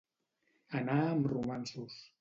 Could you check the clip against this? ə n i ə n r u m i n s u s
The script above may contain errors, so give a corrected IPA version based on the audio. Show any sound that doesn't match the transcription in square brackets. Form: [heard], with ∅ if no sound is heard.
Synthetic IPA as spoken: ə n [a] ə [m] r u m [a] n s u s